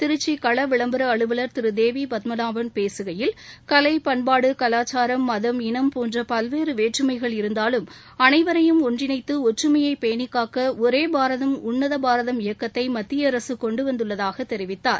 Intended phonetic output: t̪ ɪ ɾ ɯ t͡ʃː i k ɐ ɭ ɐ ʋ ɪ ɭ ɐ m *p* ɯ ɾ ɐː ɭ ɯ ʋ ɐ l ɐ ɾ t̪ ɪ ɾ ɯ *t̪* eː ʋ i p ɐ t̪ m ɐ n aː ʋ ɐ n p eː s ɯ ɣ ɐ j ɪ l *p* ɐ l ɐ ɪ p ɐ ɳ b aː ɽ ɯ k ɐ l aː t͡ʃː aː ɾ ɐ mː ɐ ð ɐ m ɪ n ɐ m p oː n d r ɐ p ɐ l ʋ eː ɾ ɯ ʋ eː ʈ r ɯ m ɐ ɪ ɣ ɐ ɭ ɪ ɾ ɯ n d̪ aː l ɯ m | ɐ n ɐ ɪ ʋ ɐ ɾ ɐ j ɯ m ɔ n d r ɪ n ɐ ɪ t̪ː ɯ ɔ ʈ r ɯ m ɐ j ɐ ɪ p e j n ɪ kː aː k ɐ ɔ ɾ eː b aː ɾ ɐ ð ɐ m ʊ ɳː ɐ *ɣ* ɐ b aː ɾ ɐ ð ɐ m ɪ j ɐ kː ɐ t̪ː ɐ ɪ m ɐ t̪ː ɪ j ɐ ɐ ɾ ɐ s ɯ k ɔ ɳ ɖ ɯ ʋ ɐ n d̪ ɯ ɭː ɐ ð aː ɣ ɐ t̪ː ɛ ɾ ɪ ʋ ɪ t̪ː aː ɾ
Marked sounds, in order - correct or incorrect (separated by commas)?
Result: incorrect, incorrect, incorrect, incorrect